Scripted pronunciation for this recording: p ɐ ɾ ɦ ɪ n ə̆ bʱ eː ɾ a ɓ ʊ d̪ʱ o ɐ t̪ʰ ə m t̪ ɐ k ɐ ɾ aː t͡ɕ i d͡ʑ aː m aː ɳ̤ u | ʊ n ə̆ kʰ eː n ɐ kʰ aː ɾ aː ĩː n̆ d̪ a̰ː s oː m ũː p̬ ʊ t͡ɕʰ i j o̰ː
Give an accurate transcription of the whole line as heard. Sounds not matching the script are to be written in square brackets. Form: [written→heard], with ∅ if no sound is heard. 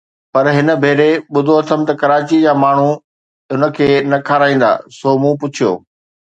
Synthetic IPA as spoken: p ɐ ɾ ɦ ɪ n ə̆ bʱ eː ɾ [a→e] ɓ ʊ d̪ʱ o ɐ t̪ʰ ə m t̪ ɐ k ɐ ɾ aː t͡ɕ i d͡ʑ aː m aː ɳ̤ u | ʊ n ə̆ kʰ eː n ɐ kʰ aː ɾ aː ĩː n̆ d̪ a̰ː s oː m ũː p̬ ʊ t͡ɕʰ i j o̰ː